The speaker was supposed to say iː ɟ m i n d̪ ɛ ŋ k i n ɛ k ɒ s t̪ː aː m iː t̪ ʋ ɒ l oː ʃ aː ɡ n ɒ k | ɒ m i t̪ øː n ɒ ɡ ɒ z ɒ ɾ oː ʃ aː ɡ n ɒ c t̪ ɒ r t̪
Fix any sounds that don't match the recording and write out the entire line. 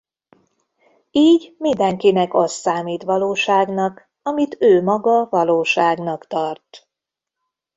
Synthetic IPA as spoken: iː ɟ m i n d̪ ɛ ŋ k i n ɛ k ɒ s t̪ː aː m iː t̪ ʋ ɒ l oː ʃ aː ɡ n ɒ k | ɒ m i t̪ øː m ɒ ɡ ɒ v ɒ l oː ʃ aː ɡ n ɒ k t̪ ɒ r t̪